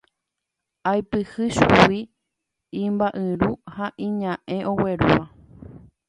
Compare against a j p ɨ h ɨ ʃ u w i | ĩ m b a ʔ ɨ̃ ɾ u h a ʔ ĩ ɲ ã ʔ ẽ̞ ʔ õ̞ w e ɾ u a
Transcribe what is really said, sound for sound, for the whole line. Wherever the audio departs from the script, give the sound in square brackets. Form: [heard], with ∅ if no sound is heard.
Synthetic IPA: a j p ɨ h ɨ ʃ u w i | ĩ m b a ʔ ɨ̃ ɾ u h a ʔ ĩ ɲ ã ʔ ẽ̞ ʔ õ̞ w e ɾ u a